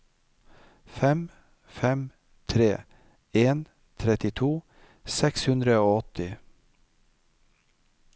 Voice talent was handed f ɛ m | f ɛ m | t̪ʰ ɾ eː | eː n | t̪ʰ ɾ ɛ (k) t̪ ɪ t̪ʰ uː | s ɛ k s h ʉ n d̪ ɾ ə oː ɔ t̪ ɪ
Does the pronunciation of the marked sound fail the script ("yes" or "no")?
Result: yes